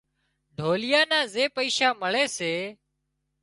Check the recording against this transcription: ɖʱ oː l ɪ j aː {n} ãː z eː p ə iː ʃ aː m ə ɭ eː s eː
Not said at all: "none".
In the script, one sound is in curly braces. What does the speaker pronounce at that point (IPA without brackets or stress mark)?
n